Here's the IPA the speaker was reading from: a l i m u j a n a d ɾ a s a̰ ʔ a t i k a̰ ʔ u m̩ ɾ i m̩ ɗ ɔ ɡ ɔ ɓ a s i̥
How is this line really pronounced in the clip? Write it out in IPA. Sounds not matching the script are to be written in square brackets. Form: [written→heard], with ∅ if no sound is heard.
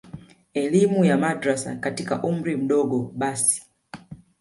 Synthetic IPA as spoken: [a→ɛ] l i m u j a [n→m] a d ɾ a s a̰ [ʔ→k] a t i k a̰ ʔ u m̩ ɾ i m̩ ɗ ɔ ɡ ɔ ɓ a s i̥